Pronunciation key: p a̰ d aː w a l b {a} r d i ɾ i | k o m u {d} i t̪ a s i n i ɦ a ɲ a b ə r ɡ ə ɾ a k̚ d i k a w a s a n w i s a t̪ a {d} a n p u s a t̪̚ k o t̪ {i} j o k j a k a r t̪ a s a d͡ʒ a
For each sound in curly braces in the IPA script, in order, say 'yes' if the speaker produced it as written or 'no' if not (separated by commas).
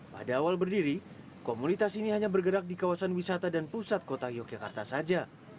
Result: no, no, yes, no